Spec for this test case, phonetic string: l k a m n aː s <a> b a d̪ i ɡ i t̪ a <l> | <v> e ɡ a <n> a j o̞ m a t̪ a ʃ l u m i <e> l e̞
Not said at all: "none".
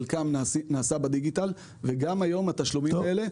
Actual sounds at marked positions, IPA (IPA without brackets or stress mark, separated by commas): a, l, v, m, e